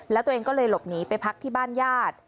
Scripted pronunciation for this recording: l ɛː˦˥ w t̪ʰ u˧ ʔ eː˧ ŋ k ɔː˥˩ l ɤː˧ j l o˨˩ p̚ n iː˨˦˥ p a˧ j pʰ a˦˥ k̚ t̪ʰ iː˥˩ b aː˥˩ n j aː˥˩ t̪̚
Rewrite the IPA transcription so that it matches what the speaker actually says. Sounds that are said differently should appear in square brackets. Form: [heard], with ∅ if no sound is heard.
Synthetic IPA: l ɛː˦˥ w [t̪] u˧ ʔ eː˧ ŋ k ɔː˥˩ l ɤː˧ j l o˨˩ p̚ n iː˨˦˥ p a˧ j pʰ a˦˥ k̚ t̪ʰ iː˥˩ b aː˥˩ n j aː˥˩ t̪̚